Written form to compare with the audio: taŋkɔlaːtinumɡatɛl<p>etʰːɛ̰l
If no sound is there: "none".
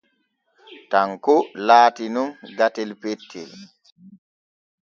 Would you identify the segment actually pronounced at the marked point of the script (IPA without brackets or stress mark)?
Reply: p